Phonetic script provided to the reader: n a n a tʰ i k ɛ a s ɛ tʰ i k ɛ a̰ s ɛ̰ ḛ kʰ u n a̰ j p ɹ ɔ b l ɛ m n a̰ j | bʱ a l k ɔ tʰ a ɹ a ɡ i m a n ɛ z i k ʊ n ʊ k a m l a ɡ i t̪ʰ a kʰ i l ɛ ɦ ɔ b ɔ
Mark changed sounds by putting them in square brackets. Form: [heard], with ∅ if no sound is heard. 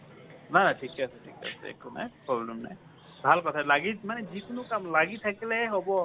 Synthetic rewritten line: n a n a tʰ i k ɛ a s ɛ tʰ i k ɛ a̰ s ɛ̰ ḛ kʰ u n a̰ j p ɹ ɔ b l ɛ m n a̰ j | bʱ a l k ɔ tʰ a [l] a ɡ i m a n ɛ z i k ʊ n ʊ k a m l a ɡ i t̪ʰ a [k] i l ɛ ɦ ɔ b ɔ